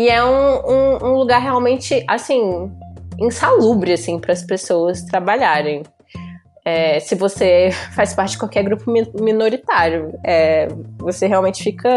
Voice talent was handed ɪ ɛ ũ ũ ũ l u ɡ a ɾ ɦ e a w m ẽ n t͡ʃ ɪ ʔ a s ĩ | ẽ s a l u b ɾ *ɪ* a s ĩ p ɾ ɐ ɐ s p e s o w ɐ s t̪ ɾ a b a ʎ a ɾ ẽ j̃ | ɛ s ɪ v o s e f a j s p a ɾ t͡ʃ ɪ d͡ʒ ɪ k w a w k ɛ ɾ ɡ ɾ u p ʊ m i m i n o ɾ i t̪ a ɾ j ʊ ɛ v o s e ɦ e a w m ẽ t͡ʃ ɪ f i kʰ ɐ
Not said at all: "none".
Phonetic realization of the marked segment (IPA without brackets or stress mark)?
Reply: ɪ